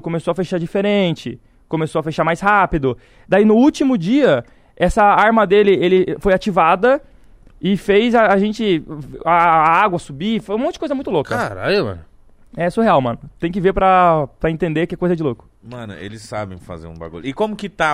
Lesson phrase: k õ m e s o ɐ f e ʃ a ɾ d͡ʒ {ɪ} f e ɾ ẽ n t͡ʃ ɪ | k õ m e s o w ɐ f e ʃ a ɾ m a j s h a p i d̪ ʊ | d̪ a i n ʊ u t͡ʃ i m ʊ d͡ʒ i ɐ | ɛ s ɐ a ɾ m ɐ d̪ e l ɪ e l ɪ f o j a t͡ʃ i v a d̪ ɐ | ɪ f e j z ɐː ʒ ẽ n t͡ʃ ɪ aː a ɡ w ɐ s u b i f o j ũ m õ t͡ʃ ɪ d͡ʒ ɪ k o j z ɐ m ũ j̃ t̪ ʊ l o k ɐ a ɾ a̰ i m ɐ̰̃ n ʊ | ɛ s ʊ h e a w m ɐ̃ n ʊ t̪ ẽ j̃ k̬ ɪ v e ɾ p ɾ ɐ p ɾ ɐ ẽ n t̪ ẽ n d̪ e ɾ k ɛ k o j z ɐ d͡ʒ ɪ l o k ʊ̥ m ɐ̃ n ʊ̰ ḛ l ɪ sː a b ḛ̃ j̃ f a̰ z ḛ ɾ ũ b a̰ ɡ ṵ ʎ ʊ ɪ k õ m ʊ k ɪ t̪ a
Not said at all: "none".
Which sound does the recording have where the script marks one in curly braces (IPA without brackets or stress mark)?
i